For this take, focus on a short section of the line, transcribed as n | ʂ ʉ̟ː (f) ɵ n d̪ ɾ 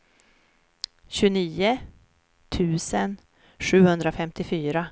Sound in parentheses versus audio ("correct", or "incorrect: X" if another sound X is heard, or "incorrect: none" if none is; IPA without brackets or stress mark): incorrect: h